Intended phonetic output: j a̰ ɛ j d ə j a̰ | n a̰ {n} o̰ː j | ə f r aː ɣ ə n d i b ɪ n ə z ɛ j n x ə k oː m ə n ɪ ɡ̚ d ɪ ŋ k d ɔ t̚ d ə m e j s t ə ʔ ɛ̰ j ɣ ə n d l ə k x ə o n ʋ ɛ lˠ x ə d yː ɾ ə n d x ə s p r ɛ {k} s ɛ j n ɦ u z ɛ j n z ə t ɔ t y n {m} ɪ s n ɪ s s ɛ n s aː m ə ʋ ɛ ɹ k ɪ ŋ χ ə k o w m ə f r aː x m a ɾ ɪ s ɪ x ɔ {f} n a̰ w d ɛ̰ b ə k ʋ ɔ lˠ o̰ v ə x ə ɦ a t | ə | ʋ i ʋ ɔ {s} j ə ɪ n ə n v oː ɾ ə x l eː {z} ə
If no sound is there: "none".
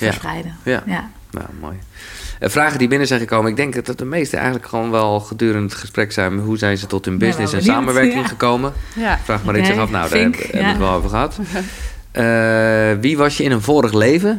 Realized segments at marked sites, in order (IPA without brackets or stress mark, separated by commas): m, k, b, f, s, v